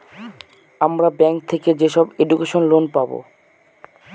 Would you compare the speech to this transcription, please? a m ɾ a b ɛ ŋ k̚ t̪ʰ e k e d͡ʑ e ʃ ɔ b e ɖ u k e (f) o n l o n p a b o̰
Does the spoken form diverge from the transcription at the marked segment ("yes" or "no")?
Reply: yes